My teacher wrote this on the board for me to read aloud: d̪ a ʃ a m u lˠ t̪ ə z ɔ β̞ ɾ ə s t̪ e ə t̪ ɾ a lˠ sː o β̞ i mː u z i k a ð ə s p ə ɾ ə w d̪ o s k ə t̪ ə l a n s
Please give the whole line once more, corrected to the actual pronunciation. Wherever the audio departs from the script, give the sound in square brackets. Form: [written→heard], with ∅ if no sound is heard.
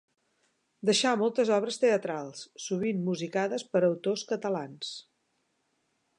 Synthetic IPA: d̪ [a→ə] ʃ a m [u→ɔ] lˠ t̪ ə z ɔ β̞ ɾ ə s t̪ e ə t̪ ɾ a lˠ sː [o→u] β̞ i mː u z i k a ð ə s p ə ɾ ə w [d̪→t̪] o s k ə t̪ ə l a n s